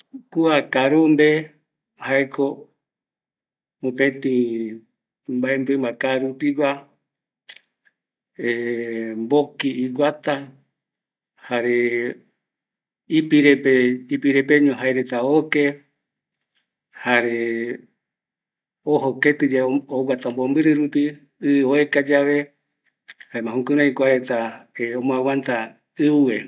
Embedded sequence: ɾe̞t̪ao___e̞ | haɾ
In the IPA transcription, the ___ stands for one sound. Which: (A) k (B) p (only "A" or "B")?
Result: A